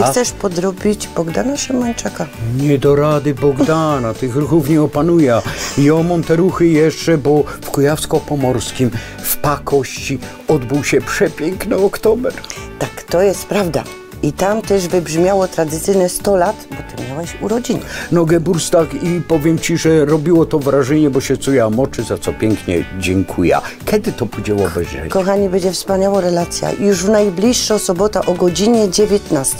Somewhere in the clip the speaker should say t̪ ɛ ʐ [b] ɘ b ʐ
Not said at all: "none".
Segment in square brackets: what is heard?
v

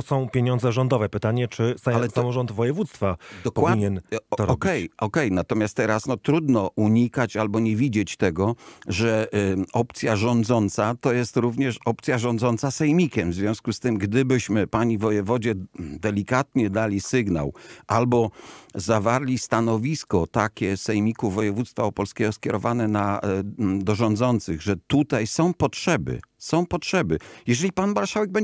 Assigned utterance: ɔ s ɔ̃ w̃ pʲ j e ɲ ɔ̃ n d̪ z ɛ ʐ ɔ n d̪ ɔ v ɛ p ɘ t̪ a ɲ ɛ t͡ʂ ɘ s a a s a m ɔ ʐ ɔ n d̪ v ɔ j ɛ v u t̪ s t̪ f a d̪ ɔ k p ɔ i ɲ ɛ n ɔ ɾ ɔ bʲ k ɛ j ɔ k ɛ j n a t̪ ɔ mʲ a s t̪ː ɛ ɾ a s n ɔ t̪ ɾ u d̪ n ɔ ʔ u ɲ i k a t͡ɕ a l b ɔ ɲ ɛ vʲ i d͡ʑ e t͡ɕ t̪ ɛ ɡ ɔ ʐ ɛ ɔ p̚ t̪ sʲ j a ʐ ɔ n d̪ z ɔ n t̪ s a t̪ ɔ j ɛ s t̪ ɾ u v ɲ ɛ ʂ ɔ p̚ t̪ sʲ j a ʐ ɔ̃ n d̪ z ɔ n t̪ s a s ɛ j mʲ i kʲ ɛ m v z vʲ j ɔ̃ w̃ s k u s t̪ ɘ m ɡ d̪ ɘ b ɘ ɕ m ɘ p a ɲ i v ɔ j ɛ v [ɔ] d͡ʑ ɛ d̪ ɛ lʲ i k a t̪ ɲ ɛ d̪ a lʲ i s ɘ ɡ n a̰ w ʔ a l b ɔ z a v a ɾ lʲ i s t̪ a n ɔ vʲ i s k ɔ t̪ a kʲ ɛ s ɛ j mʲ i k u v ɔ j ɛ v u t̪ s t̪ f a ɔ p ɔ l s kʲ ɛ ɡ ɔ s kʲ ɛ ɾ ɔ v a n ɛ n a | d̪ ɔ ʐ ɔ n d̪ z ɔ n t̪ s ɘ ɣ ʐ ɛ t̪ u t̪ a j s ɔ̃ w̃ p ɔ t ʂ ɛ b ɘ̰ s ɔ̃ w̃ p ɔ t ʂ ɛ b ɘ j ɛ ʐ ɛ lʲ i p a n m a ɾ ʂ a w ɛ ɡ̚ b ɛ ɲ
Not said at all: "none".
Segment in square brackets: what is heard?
ɔ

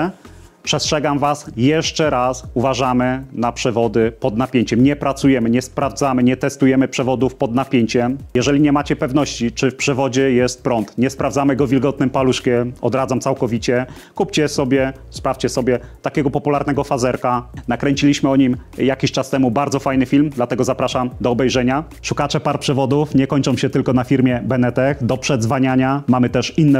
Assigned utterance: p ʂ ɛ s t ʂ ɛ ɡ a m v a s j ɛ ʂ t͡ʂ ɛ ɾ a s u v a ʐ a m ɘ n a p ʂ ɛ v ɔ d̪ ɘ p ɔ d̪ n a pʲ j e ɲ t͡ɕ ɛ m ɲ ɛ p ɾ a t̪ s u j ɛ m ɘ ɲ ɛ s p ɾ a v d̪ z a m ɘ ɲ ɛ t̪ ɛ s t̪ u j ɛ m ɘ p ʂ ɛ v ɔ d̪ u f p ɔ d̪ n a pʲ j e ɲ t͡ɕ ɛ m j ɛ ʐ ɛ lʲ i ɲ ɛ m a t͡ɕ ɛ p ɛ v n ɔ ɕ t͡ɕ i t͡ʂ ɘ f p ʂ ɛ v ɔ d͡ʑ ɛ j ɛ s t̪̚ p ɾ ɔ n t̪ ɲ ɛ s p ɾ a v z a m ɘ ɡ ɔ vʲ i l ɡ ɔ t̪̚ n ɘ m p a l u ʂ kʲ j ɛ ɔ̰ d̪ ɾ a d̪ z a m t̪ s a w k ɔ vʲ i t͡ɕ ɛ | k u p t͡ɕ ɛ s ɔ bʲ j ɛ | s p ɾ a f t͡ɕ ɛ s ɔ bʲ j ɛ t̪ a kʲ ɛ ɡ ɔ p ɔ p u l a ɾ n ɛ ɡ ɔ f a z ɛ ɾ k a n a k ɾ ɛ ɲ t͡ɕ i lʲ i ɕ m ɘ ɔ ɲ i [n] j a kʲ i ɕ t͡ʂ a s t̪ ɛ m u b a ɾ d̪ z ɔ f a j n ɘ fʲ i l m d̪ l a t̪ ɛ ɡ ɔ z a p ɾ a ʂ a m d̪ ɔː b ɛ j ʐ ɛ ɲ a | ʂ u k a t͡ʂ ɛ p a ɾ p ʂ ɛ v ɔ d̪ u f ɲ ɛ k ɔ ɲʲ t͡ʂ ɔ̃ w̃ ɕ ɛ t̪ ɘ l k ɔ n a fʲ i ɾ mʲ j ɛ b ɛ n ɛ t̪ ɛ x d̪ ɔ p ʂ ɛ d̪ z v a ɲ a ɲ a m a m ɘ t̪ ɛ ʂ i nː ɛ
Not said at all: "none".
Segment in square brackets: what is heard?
m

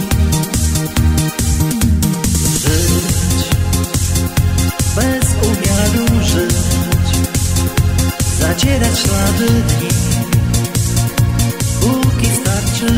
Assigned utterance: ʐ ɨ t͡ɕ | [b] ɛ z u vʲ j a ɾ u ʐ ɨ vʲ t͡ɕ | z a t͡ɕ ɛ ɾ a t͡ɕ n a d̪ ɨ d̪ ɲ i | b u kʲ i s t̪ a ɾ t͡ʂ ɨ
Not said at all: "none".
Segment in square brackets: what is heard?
b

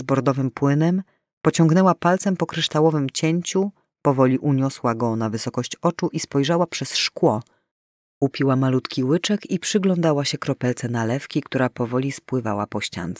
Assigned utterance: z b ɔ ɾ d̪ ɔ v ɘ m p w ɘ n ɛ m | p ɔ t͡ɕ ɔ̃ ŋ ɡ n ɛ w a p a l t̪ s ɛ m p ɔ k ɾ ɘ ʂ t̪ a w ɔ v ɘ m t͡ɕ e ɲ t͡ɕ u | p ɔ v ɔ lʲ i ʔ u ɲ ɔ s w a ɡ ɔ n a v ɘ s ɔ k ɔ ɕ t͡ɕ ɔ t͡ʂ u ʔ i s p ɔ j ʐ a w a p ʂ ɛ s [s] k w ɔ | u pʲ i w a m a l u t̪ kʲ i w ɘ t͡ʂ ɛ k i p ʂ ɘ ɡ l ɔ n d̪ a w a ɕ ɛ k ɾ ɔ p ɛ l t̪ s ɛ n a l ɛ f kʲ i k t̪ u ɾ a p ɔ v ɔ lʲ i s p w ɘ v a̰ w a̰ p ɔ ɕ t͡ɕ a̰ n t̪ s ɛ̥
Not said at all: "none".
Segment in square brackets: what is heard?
ʂ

